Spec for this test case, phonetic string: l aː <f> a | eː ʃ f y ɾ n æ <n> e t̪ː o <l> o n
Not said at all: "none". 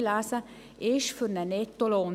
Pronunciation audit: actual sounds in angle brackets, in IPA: s, n, l

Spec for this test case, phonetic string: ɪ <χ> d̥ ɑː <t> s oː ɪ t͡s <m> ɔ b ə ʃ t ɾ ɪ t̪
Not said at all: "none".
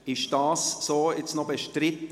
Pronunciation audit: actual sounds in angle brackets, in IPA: ʃ, s, n

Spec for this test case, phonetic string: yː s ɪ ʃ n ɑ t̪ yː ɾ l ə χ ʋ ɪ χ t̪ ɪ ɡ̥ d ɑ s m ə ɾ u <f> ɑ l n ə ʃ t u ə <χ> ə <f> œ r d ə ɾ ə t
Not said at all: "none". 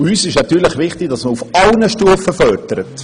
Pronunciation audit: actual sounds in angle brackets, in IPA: f, f, f

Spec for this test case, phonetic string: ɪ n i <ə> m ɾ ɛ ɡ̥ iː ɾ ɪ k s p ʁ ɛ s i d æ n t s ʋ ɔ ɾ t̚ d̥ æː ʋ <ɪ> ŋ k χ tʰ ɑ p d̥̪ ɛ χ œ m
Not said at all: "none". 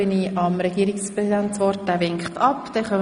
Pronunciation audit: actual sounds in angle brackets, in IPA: ɑ, ɪ

